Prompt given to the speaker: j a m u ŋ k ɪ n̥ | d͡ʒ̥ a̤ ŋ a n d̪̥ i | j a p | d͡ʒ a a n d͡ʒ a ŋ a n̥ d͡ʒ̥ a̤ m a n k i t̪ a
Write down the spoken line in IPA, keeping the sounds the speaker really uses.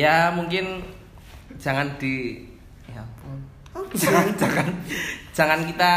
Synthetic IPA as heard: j a m u ŋ k ɪ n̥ | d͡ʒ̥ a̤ ŋ a n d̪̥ i | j a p | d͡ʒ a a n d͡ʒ a ŋ a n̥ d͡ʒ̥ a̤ ŋ a n k i t̪ a